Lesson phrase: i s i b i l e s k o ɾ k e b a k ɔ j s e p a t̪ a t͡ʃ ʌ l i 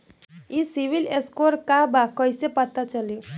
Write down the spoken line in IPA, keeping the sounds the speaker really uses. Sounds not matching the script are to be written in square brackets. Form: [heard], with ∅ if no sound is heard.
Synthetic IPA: i s i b i l e s k o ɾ k [a] b a k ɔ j s e p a t̪ a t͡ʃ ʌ l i